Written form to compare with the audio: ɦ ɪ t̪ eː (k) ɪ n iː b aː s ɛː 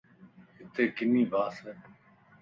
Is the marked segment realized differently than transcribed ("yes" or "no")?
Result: no